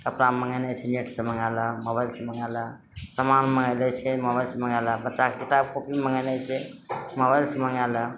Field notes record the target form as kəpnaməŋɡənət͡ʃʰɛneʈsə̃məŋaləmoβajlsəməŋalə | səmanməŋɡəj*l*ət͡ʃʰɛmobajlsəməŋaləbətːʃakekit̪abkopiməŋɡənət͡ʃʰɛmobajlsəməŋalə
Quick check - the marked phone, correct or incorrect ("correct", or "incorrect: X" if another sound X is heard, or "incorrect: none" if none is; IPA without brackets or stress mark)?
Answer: correct